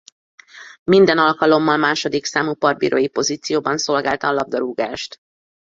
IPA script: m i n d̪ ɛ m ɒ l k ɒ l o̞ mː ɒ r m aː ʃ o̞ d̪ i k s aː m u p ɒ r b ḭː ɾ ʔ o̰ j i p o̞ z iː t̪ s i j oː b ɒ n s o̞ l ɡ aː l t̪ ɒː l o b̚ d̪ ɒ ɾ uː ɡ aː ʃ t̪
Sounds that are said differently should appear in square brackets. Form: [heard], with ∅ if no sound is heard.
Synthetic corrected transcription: m i n d̪ ɛ [n] ɒ l k ɒ l o̞ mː ɒ [l] m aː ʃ o̞ d̪ i k s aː m u p ɒ r b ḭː ɾ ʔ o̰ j i p o̞ z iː t̪ s i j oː b ɒ n s o̞ l ɡ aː l t̪ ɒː l [ɒ] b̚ d̪ ɒ ɾ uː ɡ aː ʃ t̪